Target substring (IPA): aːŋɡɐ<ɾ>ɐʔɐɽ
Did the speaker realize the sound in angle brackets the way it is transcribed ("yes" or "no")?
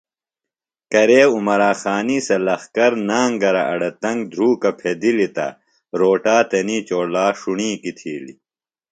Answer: yes